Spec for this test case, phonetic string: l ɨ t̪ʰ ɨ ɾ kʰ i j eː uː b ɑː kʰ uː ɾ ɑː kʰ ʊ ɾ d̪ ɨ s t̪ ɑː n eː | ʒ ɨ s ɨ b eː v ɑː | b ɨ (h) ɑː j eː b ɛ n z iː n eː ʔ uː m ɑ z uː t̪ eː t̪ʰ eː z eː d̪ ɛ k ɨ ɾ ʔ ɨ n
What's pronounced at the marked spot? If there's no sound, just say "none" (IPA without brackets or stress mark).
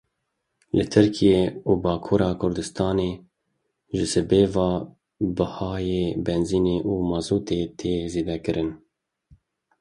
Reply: h